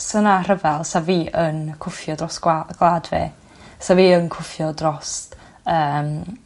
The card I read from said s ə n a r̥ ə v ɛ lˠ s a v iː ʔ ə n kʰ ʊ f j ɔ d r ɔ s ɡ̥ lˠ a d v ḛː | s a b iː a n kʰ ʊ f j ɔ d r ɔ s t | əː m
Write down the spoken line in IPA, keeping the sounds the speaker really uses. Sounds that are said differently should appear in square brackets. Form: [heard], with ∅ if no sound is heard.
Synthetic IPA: s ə n a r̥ ə v ɛ lˠ s a v iː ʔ ə n kʰ ʊ f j ɔ d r ɔ s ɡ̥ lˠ a d v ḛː | s a [v] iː [ə] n kʰ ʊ f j ɔ d r ɔ s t | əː m